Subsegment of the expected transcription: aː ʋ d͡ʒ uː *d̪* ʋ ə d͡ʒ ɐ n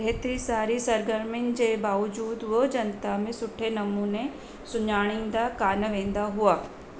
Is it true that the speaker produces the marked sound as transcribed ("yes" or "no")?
yes